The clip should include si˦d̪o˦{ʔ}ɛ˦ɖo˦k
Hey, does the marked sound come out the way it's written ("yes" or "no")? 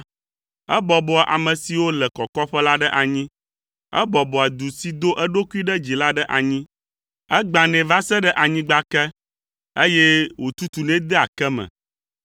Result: yes